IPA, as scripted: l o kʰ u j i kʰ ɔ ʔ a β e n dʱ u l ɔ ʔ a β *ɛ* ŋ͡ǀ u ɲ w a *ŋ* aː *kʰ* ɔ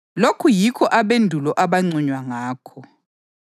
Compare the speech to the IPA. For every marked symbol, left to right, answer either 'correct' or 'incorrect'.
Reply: incorrect: a, correct, correct

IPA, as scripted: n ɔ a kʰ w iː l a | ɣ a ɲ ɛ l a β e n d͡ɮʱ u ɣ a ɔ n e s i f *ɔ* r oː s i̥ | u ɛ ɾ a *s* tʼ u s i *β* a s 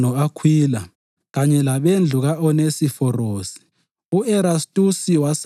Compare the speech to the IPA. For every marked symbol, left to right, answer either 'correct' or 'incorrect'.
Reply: correct, correct, incorrect: w

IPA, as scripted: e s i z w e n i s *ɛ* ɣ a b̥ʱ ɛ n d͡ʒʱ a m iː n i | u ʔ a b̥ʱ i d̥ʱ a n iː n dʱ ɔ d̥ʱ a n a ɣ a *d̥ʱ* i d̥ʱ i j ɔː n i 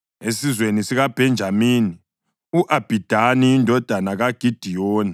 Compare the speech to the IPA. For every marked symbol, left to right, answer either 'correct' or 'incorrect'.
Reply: incorrect: i, incorrect: ɡ̥ʱ

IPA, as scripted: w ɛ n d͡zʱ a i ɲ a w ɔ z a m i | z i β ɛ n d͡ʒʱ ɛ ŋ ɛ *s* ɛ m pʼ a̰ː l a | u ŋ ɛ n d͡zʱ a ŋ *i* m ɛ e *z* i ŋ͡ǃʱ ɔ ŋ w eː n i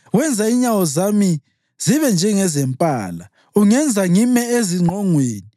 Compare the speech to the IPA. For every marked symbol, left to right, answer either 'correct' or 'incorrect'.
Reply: incorrect: z, correct, correct

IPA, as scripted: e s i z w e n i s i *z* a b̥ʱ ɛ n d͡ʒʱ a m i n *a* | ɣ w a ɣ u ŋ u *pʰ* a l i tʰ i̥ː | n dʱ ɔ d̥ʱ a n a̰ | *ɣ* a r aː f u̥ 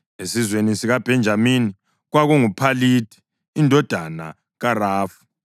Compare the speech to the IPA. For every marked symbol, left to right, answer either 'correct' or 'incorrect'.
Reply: incorrect: ɣ, incorrect: i, correct, correct

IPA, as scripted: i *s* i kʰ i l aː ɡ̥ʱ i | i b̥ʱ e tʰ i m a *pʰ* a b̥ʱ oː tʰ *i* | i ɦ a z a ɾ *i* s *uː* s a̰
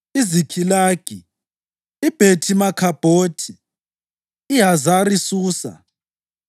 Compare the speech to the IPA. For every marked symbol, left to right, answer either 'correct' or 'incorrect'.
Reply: incorrect: z, incorrect: kʰ, correct, correct, correct

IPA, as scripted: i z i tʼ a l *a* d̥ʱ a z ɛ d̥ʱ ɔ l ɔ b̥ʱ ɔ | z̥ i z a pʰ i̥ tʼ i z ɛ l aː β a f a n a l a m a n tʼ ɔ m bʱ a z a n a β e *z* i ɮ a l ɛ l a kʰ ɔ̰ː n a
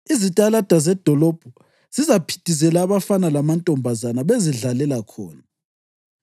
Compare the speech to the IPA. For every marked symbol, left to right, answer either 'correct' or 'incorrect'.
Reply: correct, correct

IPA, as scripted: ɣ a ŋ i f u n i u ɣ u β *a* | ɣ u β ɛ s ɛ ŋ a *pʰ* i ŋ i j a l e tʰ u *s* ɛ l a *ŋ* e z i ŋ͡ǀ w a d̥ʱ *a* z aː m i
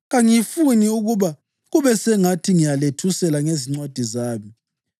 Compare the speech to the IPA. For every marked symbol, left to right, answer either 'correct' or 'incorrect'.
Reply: correct, incorrect: tʰ, correct, correct, incorrect: i

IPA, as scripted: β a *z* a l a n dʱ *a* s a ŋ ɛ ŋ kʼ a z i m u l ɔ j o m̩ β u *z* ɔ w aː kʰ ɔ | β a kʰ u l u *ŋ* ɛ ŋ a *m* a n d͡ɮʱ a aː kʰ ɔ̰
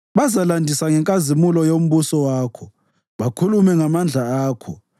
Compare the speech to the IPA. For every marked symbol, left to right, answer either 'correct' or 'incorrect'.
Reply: correct, incorrect: i, incorrect: s, incorrect: m, correct

